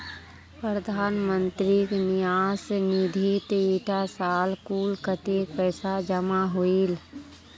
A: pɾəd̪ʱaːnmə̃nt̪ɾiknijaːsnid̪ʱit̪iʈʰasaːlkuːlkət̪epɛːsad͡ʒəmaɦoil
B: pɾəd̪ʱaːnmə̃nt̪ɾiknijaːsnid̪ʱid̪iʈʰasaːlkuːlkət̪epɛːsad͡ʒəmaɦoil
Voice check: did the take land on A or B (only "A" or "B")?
A